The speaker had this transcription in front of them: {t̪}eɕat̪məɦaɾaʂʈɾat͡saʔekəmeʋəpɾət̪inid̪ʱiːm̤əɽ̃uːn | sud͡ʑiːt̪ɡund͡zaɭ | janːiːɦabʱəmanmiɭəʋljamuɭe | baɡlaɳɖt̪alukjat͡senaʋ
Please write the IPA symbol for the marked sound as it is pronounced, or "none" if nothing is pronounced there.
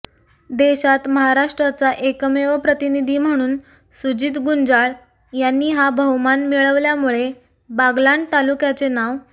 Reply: d̪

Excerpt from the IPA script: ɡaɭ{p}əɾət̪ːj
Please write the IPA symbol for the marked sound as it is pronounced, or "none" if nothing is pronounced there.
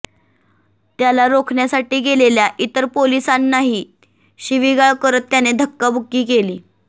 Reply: k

